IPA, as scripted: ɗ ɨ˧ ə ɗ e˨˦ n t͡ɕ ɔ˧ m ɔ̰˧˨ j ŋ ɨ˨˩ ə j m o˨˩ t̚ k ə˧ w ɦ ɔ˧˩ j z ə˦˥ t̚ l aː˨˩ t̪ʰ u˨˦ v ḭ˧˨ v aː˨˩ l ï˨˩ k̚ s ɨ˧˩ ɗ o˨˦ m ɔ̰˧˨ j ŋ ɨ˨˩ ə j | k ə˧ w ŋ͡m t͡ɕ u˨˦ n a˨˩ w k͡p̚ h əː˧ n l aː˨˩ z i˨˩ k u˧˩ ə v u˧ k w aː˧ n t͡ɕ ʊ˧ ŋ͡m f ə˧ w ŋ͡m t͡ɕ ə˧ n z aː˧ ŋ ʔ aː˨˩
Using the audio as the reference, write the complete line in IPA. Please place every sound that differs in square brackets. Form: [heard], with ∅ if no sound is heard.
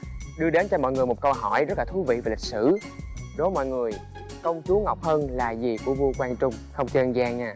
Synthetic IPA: ɗ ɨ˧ ə ɗ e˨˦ n t͡ɕ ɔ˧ m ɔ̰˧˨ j ŋ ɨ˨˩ ə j m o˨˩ t̚ k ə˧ w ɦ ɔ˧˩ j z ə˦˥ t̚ l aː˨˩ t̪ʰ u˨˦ v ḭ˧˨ v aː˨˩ l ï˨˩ k̚ s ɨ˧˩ ɗ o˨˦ m ɔ̰˧˨ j ŋ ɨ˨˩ ə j | k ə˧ w ŋ͡m t͡ɕ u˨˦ [ŋ] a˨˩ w k͡p̚ h əː˧ n l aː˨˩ z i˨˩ k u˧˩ ə v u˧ k w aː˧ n t͡ɕ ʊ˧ ŋ͡m [x] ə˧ w ŋ͡m t͡ɕ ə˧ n z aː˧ ŋ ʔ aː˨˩